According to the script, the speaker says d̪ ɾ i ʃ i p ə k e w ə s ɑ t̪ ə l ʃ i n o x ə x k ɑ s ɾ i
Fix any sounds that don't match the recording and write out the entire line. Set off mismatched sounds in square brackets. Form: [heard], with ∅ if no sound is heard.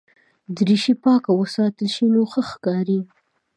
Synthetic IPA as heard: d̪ ɾ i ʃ i p [ɑ] k [a] w ə s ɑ t̪ ə l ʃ i n o x ə x k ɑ [∅] ɾ i